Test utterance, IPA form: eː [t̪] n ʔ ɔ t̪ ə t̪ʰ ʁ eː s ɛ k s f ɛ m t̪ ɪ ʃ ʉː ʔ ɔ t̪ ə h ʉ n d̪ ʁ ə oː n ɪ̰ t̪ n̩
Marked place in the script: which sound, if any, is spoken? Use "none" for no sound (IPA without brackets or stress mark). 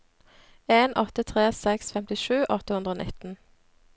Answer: none